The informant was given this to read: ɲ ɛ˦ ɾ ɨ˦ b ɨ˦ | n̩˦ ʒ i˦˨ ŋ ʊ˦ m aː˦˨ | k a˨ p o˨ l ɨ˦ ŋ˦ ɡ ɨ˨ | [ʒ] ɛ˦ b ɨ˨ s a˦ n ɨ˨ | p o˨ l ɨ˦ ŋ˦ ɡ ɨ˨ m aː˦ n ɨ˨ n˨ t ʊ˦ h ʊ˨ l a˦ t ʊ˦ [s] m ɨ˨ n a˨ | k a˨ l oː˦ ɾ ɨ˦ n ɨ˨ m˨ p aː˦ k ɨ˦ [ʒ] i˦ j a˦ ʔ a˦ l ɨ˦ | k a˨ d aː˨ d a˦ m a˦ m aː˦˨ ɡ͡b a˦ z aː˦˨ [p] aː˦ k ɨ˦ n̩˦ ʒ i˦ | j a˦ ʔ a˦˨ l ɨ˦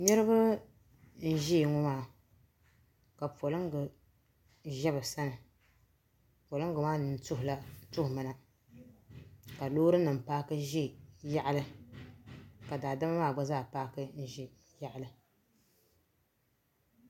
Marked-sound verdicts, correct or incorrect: correct, incorrect, correct, correct

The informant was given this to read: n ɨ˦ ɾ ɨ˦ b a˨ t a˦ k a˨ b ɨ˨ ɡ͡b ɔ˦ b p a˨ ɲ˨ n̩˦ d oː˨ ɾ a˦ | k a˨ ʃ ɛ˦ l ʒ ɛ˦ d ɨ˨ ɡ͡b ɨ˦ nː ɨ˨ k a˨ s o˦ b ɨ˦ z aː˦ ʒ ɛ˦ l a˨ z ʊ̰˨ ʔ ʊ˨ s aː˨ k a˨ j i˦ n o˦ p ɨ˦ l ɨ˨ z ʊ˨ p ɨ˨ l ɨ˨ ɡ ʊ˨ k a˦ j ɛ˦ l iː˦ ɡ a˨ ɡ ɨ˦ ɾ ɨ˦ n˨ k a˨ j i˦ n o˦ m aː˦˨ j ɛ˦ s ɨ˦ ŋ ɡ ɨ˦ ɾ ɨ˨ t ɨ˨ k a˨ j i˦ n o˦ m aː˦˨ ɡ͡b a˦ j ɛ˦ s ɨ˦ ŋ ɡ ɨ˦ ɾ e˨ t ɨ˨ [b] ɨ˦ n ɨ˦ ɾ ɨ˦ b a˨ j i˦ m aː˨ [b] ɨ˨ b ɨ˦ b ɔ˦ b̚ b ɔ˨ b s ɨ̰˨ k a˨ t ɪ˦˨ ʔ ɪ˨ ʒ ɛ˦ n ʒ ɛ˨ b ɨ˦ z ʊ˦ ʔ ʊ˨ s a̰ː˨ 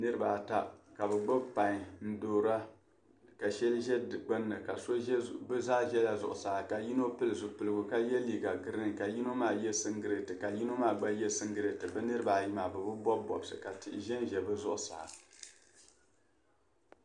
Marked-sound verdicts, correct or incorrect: correct, correct

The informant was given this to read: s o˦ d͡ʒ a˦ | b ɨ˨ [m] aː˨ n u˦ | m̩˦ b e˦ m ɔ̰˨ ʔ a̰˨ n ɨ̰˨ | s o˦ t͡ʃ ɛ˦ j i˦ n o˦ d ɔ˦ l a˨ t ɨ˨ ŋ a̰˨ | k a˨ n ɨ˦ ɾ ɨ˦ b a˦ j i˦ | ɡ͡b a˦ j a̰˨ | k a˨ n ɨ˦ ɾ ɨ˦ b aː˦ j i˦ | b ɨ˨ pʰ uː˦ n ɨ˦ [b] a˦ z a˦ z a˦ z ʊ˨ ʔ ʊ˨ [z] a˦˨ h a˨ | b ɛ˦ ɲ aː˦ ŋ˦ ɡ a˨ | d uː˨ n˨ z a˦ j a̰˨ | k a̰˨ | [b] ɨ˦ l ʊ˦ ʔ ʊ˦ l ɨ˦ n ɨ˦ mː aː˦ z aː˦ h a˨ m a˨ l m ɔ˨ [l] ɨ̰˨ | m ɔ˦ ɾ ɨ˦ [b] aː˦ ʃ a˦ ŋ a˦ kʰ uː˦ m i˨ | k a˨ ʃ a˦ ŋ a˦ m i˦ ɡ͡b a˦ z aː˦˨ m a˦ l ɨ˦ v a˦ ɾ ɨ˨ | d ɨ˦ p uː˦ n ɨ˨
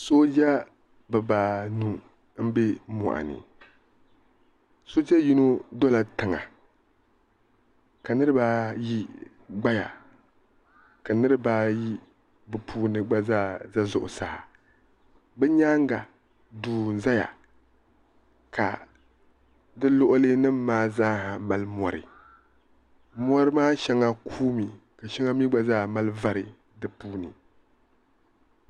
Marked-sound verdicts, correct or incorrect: incorrect, incorrect, incorrect, incorrect, incorrect, incorrect

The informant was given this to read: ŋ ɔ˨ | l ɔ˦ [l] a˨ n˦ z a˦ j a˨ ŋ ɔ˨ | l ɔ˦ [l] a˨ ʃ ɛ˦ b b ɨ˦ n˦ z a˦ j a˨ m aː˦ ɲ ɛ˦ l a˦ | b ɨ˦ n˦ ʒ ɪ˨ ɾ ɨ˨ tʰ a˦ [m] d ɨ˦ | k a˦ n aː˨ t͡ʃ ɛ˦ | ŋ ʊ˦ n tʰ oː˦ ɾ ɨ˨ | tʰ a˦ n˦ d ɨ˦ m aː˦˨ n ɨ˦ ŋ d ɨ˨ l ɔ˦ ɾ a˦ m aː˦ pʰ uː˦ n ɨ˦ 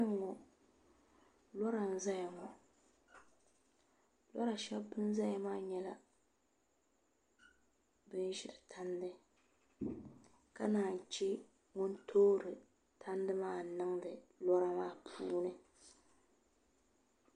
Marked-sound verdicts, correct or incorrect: incorrect, incorrect, incorrect

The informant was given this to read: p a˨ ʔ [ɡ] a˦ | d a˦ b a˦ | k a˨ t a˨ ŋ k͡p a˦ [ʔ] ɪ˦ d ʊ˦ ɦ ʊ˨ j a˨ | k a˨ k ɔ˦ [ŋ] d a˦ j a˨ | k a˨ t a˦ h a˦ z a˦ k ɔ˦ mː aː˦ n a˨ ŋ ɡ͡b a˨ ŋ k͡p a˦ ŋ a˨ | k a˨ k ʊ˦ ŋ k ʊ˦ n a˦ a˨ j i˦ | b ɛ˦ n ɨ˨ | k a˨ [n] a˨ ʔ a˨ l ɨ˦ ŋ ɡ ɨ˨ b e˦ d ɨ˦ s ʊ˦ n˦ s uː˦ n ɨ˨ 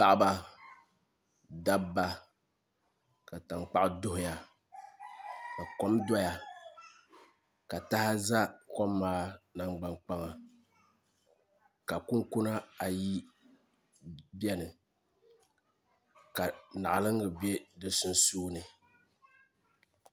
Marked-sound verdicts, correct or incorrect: incorrect, correct, incorrect, correct

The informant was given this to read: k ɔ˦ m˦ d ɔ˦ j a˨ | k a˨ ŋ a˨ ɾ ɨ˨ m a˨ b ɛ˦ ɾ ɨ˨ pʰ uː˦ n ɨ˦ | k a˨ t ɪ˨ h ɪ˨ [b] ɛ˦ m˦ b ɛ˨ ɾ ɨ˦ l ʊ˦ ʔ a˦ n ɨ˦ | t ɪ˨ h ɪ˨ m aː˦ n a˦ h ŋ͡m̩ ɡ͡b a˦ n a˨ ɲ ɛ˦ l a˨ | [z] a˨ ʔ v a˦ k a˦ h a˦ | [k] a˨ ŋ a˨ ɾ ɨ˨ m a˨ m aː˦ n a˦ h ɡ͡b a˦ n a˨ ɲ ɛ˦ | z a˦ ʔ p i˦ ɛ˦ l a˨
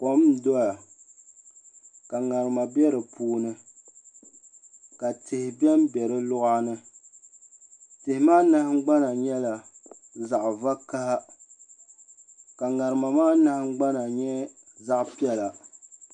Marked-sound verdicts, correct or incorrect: correct, correct, correct

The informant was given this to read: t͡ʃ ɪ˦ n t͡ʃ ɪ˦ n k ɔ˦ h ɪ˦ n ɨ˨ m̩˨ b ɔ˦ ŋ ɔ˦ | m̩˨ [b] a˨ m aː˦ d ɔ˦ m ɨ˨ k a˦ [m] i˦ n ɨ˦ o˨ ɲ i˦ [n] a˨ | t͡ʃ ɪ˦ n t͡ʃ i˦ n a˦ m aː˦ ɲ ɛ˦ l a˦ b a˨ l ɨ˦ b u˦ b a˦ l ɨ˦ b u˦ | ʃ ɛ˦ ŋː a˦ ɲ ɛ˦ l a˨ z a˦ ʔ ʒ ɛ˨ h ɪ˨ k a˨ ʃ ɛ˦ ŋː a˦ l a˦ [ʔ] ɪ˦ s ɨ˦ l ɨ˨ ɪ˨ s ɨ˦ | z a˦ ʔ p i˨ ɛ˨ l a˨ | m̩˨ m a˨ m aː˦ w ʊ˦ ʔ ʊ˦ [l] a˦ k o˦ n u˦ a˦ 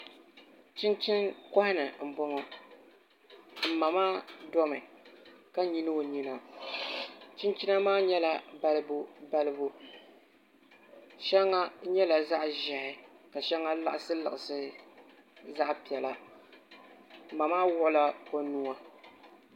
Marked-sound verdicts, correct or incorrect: incorrect, incorrect, correct, correct, correct

